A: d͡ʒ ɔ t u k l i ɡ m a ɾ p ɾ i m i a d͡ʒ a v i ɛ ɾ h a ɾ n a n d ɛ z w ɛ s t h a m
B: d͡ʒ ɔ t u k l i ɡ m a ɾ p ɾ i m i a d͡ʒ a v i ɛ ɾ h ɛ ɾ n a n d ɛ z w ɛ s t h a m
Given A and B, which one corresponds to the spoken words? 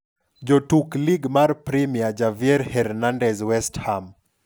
B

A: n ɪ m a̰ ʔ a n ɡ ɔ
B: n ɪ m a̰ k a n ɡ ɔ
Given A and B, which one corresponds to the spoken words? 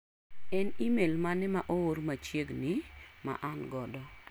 A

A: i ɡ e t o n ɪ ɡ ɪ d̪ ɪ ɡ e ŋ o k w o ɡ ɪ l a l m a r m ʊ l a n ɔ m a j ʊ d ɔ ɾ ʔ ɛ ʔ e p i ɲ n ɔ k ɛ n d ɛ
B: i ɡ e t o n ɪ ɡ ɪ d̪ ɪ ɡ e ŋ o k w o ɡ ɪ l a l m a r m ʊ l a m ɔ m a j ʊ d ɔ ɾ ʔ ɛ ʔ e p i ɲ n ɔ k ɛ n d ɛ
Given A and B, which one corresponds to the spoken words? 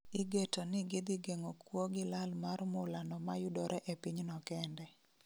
A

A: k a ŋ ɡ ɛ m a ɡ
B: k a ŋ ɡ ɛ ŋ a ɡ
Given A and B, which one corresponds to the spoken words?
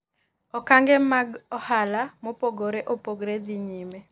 A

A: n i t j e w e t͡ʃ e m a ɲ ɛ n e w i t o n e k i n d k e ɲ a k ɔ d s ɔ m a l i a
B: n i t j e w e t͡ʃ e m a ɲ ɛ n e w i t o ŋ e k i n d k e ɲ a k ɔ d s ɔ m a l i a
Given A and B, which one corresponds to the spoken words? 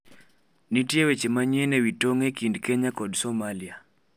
B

